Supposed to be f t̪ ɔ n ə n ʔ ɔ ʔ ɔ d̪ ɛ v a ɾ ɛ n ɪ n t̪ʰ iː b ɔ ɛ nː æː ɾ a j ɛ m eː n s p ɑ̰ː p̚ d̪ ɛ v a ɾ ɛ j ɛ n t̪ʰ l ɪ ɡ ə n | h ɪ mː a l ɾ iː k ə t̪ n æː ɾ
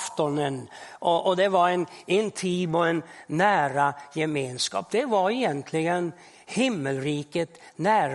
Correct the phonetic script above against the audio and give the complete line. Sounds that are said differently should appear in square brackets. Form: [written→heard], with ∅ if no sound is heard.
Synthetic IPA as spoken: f t̪ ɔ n ə n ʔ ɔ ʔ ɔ d̪ ɛ v a ɾ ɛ n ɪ n t̪ʰ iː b ɔ ɛ nː æː ɾ a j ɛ m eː n s [p→k] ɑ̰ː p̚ d̪ ɛ v a ɾ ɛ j ɛ n t̪ʰ l ɪ ɡ ə n | h ɪ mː [a→ə] l ɾ iː k ə t̪ n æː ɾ